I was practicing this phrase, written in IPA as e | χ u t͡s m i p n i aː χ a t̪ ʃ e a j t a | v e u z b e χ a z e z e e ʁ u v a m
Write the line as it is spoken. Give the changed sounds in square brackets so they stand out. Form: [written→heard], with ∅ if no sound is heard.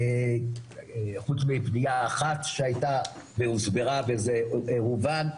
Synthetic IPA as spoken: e | χ u t͡s m i p n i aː χ a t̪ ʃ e a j t a | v e u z b e [χ→ʁ] a [z→v] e z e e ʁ u v a [m→n]